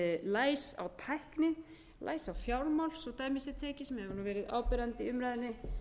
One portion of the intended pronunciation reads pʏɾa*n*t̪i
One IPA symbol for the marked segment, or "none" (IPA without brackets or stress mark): n